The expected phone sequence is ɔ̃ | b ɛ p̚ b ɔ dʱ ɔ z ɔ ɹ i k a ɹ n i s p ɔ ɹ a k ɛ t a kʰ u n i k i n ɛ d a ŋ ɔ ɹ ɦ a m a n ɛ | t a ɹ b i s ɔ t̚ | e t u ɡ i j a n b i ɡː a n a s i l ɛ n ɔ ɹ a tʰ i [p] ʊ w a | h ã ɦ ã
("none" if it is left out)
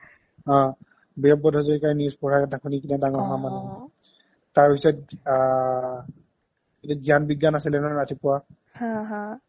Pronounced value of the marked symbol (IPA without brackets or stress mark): p